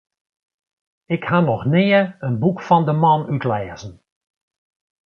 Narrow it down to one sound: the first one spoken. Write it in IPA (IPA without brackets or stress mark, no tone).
ɪ